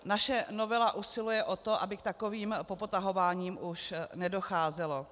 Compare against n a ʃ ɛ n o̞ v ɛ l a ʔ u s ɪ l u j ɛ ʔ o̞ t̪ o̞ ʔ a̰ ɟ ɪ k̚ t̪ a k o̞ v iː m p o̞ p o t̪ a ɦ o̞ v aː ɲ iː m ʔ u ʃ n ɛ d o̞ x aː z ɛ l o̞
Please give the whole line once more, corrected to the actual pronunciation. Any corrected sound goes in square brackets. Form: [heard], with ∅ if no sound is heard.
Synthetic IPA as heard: n a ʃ ɛ n o̞ v ɛ l a ʔ u s ɪ l u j ɛ ʔ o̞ t̪ o̞ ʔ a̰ [b] ɪ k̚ t̪ a k o̞ v iː m p o̞ p o t̪ a ɦ o̞ v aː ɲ iː m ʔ u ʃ n ɛ d o̞ x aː z ɛ l o̞